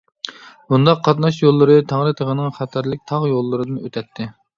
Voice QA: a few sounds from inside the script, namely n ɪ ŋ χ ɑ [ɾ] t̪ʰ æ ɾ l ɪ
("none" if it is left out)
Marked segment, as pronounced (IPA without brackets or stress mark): none